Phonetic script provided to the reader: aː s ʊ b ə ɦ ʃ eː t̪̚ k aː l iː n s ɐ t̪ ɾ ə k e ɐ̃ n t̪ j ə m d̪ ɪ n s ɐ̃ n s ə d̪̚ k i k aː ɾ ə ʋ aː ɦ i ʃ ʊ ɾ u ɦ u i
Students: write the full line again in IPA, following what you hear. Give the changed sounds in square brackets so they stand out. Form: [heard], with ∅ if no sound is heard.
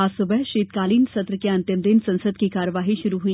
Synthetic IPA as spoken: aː s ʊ b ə ɦ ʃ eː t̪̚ k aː l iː n s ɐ t̪ ɾ ə k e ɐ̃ n t̪ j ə m d̪ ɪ n s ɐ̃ n s ə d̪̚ k i k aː ɾ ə ʋ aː ɦ i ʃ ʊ ɾ u ɦ u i